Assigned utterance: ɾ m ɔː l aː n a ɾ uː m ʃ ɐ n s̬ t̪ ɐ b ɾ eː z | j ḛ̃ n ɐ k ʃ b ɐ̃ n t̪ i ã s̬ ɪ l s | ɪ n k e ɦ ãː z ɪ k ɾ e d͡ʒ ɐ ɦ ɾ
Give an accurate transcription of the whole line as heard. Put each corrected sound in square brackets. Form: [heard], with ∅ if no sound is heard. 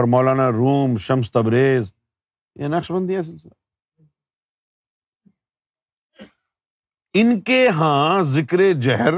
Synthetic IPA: ɾ m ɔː l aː n a ɾ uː m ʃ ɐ [m] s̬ t̪ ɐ b ɾ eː z | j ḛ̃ n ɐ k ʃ b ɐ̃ n [d̪] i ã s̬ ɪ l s | ɪ n k e ɦ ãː z ɪ k ɾ e d͡ʒ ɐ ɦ ɾ